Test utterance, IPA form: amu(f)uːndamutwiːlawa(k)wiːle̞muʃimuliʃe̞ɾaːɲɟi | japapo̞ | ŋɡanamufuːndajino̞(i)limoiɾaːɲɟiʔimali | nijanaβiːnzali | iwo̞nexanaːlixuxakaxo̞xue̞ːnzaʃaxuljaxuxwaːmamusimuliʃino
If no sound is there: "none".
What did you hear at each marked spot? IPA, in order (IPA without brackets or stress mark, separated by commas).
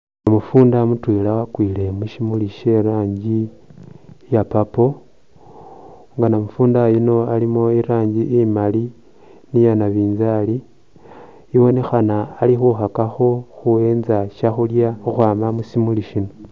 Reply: f, k, a